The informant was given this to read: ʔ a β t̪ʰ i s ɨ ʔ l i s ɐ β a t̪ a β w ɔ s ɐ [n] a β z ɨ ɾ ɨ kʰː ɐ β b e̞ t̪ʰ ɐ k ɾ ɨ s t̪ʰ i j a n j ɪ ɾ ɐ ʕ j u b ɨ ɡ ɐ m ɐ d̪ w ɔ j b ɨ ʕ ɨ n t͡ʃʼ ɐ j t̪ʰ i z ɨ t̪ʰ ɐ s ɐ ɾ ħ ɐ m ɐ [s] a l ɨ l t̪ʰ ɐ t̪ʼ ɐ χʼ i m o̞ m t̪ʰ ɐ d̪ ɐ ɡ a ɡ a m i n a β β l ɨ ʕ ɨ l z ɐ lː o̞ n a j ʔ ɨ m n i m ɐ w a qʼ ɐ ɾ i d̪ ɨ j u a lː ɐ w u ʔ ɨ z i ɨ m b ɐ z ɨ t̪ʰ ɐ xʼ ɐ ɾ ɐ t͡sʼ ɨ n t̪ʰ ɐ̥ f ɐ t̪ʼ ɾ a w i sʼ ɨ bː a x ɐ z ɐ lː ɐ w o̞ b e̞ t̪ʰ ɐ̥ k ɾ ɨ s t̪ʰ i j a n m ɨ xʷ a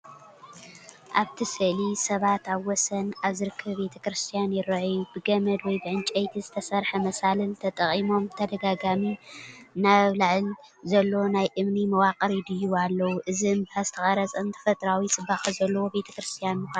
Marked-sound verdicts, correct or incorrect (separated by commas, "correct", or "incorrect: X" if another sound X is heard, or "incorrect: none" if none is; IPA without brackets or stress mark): correct, correct